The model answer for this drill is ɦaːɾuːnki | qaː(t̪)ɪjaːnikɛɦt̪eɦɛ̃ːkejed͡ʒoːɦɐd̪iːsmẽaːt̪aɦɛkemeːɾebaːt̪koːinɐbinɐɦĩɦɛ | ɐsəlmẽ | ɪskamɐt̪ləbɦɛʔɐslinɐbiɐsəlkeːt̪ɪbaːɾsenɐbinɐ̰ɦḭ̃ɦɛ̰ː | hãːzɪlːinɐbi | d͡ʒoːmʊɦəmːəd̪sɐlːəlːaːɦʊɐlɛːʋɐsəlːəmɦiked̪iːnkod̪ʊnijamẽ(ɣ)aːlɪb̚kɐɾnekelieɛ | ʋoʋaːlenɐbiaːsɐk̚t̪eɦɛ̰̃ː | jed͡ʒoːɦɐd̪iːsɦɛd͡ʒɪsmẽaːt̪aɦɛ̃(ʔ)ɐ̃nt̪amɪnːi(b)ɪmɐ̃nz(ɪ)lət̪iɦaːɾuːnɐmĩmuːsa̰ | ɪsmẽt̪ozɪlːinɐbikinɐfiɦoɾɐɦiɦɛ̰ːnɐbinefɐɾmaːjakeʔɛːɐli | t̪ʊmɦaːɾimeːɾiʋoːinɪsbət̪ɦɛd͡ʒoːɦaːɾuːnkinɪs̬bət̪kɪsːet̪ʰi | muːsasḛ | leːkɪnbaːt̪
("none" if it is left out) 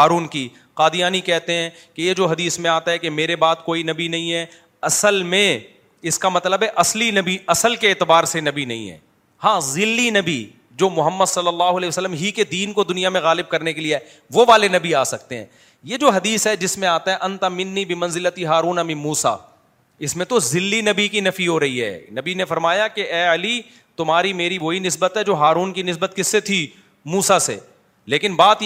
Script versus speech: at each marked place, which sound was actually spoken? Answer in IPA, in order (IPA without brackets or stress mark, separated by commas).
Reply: d̪, ɣ, ʔ, b, ɪ